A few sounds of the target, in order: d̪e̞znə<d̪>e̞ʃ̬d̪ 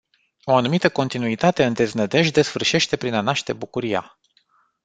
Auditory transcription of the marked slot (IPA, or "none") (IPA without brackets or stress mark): d̪